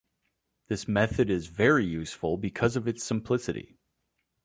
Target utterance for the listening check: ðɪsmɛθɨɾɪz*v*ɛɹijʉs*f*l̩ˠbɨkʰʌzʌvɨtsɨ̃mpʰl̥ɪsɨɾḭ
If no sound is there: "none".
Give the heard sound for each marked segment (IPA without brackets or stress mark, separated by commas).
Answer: v, f